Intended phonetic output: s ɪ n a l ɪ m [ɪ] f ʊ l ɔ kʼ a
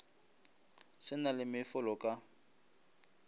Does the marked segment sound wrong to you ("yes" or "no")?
no